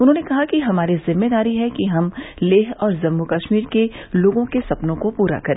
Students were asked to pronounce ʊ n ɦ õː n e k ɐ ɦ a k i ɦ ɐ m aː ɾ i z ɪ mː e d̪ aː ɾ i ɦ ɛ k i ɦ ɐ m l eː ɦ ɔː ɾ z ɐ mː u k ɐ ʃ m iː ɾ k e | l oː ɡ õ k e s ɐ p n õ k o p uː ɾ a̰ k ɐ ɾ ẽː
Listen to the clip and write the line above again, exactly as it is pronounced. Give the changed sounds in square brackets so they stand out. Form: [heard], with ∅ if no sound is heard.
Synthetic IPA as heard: ʊ n ɦ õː n e k ɐ ɦ a k i ɦ ɐ m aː ɾ i z ɪ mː e d̪ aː ɾ i ɦ ɛ k i ɦ ɐ m l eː ɦ ɔː ɾ z ɐ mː u k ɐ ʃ m iː ɾ k e | l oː ɡ õ k e s ɐ p n õ k o p uː ɾ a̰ k ɐ ɾ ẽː